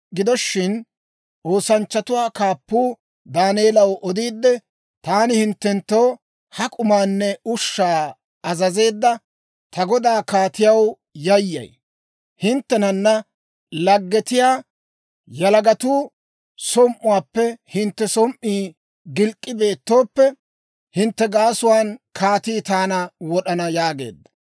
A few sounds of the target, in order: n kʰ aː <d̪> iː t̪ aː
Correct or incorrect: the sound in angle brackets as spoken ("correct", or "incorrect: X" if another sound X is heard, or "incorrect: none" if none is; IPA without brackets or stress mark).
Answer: incorrect: t̪